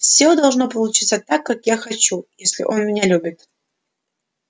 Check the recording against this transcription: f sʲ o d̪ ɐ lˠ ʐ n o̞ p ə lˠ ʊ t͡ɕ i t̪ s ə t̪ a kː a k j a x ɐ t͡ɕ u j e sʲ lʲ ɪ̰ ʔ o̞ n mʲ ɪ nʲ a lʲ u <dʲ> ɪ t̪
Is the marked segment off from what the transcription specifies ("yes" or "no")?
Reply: yes